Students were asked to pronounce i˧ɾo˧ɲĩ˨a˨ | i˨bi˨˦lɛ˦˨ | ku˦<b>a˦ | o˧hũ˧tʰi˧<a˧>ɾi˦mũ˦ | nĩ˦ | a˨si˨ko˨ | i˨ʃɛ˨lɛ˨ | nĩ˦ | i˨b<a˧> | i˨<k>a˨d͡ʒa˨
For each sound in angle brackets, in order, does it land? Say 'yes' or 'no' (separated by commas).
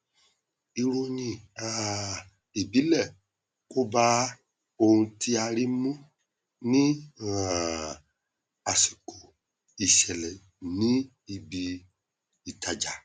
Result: yes, yes, no, no